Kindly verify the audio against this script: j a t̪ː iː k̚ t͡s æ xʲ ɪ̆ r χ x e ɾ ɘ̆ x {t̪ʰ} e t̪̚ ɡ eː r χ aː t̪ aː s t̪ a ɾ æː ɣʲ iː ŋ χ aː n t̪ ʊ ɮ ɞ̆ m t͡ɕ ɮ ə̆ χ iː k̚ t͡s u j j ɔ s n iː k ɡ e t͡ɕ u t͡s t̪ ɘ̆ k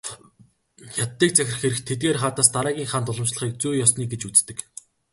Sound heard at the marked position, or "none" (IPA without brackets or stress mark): t̪ʰ